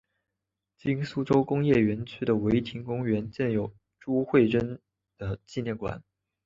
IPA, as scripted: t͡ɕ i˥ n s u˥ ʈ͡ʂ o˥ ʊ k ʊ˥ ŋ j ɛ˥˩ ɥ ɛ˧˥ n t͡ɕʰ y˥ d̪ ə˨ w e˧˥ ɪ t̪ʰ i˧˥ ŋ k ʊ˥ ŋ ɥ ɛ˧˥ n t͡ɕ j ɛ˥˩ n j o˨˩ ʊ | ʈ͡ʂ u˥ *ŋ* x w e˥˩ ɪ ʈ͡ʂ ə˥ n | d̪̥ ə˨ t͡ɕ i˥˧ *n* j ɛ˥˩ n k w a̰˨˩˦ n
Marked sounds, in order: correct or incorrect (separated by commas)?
incorrect, correct